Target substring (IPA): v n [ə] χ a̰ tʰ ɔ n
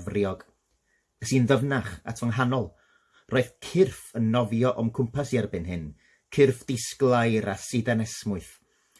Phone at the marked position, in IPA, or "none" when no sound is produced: a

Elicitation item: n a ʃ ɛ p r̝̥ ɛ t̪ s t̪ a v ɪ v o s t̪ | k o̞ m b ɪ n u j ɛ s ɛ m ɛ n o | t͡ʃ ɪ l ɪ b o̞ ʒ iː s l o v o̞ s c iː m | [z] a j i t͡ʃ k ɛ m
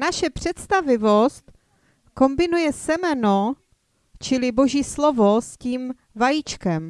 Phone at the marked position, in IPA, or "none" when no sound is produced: v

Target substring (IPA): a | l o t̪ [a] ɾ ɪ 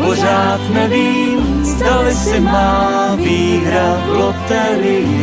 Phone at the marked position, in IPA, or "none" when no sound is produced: ɛ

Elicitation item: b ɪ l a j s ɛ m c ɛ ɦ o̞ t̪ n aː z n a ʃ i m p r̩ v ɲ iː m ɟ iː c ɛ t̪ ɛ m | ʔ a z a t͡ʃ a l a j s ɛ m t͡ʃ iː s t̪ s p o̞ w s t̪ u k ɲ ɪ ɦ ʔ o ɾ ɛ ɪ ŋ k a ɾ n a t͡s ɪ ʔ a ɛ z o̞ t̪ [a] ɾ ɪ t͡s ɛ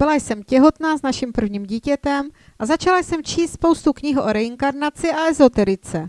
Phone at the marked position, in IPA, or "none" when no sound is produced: ɛ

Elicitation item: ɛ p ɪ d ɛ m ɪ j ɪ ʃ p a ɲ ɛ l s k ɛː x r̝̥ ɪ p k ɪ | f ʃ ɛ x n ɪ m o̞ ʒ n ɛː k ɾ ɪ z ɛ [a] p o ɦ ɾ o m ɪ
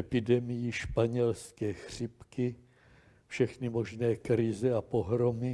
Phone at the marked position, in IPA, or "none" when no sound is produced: a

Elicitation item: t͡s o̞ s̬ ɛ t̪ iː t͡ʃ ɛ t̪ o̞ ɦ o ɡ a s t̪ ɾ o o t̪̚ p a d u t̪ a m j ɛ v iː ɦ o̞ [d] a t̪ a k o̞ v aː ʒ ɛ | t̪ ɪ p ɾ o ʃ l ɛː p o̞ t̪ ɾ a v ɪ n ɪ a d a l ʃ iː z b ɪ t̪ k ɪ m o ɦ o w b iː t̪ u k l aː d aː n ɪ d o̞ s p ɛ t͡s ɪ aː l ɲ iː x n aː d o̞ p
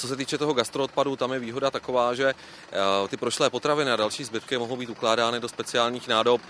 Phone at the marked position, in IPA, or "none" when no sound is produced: d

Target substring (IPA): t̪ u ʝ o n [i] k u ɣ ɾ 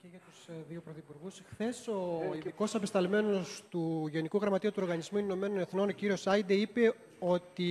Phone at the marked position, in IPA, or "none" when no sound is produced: i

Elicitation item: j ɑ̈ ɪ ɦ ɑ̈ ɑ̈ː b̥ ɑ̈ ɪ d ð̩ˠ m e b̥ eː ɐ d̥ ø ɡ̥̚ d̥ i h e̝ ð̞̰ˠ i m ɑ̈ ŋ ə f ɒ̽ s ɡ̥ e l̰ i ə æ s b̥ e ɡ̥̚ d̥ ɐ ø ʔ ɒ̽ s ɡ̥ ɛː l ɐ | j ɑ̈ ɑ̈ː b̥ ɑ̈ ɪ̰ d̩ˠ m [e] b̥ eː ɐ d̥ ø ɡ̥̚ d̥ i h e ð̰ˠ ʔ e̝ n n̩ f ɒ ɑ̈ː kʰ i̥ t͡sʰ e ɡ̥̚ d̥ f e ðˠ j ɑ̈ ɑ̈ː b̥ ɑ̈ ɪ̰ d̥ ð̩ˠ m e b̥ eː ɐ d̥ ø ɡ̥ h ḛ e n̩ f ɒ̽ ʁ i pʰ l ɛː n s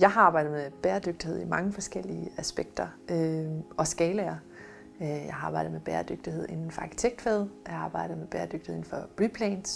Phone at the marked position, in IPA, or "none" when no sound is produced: e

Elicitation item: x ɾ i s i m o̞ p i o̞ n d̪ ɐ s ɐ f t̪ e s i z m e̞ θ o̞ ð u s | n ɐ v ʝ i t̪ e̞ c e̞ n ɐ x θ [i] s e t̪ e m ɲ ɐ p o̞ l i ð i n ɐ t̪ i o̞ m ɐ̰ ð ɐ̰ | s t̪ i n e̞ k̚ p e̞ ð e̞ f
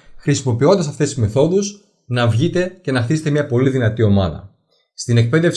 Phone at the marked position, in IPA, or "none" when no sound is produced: i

